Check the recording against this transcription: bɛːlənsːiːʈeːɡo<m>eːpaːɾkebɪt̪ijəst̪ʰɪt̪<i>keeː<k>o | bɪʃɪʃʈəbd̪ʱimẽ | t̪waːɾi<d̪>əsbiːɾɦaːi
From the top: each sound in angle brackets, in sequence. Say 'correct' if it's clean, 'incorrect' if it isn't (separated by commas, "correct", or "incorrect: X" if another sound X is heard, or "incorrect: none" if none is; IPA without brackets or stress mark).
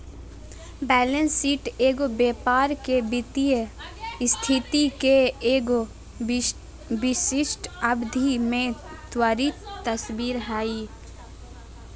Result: incorrect: b, correct, incorrect: ɡ, incorrect: t̪